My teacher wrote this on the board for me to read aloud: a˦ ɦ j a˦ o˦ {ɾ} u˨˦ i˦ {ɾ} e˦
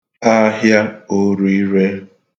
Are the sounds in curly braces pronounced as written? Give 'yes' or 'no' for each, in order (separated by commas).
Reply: yes, yes